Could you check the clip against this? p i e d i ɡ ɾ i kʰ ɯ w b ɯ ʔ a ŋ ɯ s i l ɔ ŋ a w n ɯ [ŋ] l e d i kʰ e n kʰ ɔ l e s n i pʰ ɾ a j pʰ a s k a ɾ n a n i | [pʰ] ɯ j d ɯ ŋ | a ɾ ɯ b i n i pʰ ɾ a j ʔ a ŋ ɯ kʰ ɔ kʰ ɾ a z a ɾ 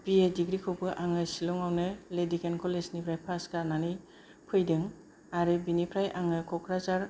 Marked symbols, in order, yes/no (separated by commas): no, yes